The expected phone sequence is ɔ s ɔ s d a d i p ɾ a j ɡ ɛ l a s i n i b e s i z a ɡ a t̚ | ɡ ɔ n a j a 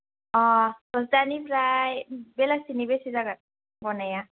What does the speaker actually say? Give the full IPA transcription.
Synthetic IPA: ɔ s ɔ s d a n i p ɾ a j b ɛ l a s i n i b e s i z a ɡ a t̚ | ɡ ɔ n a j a